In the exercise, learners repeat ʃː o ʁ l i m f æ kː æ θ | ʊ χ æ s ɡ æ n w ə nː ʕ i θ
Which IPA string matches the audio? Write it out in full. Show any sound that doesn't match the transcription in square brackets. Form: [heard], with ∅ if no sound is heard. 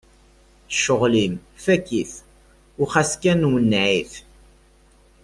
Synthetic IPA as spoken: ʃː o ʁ l i m f æ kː [i] θ | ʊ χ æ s [k] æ n w ə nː ʕ i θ